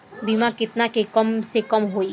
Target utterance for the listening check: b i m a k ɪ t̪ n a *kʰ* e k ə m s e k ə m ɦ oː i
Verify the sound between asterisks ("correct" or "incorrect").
incorrect